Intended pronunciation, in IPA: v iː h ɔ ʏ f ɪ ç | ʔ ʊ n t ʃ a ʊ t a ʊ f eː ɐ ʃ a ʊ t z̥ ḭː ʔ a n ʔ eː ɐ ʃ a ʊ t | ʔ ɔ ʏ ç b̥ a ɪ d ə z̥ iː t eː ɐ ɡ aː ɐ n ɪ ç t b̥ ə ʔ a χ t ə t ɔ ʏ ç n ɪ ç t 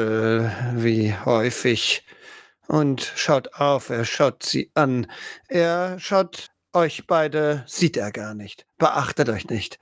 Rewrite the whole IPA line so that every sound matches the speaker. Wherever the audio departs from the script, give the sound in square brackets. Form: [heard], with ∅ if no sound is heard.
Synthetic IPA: v iː h ɔ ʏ f ɪ ç | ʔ ʊ n t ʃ a ʊ t a ʊ f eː ɐ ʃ a ʊ t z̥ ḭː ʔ a n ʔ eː ɐ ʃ a ʊ t | ʔ ɔ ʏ ç b̥ a ɪ d ə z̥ iː t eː ɐ ɡ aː ɐ n ɪ ç t b̥ ə ʔ a χ t ə t ɔ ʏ ç n ɪ ç t